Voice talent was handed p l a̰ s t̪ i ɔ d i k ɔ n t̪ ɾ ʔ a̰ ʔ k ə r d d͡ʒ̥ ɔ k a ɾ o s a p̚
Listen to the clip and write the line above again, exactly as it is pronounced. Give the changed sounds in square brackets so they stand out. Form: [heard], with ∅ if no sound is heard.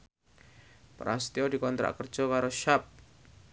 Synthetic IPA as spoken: p [ɾ] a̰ s t̪ i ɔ d i k ɔ n t̪ ɾ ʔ a̰ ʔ k ə r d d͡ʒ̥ ɔ k a ɾ o [ʃ] a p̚

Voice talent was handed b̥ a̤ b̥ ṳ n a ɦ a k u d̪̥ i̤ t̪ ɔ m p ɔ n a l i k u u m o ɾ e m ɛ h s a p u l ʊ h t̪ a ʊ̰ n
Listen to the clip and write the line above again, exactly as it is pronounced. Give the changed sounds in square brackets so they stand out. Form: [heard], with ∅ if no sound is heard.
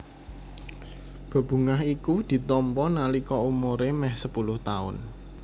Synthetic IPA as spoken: b̥ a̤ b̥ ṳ [ŋ] a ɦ [i] k u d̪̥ i̤ t̪ ɔ m p ɔ n a l i k [ɔ] u m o ɾ e m ɛ h s [ə] p u l ʊ h t̪ a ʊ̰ n

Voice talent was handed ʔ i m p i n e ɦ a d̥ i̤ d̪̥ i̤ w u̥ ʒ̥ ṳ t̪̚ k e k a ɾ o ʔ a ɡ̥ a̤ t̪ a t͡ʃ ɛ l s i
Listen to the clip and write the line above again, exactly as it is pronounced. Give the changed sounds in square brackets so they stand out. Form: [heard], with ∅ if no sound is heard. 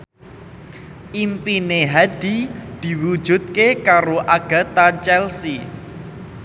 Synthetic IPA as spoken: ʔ i m p i n e ɦ a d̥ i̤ d̪̥ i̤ w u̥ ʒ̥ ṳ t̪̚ k e k a ɾ o ʔ a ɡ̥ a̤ t̪ a t͡ʃ ɛ l s i

